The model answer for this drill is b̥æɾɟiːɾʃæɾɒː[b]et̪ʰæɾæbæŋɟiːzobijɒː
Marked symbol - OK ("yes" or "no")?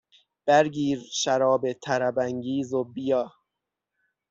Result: yes